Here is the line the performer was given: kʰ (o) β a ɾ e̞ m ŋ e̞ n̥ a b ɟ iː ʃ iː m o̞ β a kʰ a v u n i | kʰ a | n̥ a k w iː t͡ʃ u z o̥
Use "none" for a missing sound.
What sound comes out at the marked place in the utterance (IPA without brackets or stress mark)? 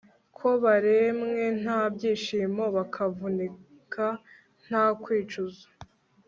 o